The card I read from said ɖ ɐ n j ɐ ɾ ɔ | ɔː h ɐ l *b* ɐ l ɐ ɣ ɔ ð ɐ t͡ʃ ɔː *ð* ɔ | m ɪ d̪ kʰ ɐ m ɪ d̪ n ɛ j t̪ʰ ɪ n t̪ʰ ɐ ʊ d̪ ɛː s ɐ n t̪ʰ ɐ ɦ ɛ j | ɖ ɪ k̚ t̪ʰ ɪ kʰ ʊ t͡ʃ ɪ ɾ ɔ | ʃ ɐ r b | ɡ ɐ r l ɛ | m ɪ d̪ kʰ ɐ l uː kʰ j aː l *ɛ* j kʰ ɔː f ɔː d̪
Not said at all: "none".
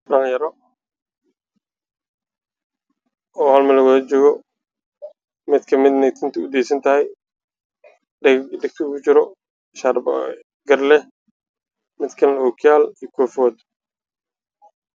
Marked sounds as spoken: m, ɣ, i

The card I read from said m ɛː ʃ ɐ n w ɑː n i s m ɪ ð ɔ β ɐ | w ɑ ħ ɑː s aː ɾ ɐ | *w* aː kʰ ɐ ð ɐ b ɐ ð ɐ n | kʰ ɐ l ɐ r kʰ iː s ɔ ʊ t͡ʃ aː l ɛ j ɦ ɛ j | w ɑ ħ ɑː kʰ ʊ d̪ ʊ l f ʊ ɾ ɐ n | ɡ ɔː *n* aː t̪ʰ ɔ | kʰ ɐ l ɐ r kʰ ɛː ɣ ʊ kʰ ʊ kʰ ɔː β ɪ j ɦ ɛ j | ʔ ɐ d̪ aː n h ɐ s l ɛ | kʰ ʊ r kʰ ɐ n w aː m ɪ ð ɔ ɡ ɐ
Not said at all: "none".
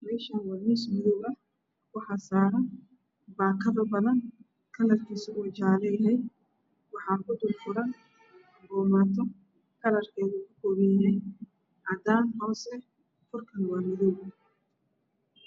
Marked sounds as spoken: b, m

